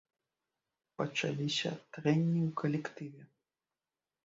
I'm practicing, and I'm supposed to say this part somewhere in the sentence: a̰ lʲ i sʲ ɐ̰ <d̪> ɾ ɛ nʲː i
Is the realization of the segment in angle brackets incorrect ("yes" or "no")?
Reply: yes